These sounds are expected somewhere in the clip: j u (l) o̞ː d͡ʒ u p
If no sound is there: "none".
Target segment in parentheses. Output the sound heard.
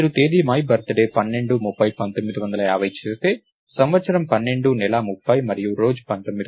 ɾ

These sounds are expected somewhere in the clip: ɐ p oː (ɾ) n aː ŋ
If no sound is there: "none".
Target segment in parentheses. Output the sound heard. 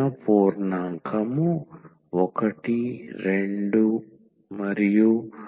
ɾ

